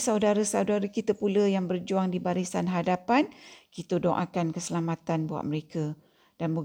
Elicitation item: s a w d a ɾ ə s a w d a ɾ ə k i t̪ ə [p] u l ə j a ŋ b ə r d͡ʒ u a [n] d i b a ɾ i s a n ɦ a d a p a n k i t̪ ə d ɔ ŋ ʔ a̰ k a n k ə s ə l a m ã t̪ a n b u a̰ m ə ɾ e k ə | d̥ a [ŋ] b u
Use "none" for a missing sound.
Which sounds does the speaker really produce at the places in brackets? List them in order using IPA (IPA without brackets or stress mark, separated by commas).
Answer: p, ŋ, n